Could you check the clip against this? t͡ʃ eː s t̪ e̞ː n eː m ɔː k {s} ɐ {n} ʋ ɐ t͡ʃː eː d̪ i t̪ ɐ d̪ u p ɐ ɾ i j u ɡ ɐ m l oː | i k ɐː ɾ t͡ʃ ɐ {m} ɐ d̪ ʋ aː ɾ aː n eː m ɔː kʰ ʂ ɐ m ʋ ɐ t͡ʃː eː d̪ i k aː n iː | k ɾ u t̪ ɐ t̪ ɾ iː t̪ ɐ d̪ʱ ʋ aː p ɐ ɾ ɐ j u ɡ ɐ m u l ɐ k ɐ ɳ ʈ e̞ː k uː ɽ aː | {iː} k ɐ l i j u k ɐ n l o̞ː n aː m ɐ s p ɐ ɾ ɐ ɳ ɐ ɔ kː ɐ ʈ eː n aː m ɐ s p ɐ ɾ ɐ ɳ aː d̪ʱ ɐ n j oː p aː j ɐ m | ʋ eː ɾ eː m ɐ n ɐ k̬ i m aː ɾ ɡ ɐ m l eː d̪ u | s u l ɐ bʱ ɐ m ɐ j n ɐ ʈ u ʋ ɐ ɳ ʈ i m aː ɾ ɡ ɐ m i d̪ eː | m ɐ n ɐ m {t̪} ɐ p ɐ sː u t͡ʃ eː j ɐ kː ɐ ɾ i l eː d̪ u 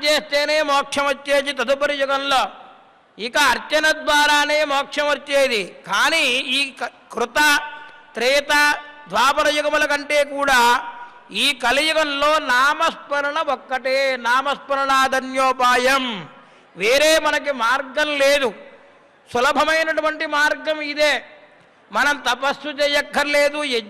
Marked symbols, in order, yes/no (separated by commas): no, no, no, yes, yes